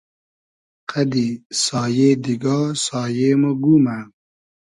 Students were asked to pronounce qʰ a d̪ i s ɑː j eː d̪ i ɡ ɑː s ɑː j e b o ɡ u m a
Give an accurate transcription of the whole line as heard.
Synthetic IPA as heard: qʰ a d̪ i s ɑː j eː d̪ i ɡ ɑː s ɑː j e m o ɡ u m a